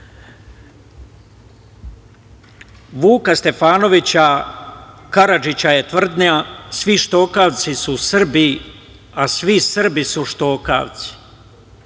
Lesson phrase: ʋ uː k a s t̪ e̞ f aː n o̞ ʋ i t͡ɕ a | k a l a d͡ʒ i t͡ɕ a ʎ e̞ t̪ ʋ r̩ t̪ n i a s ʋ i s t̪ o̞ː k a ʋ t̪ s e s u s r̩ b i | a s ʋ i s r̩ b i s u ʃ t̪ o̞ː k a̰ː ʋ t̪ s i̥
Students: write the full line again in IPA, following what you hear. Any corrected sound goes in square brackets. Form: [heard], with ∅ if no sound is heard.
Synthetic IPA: ʋ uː k a s t̪ e̞ f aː n o̞ ʋ i t͡ɕ a | k a [ɾ] a d͡ʒ i t͡ɕ a [j] e̞ t̪ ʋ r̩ [d̪] n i a s ʋ i [ʃ] t̪ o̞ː k a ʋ t̪ s [i] s u s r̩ b i | a s ʋ i s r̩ b i s u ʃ t̪ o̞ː k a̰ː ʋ t̪ s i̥